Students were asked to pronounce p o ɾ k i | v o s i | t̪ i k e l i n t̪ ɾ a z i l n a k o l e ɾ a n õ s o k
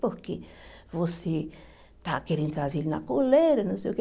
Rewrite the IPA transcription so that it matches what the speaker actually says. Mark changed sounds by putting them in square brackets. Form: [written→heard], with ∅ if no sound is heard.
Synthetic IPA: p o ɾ k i | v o s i | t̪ [i→a] k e [l→ɾ] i n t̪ ɾ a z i l n a k o l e ɾ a n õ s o k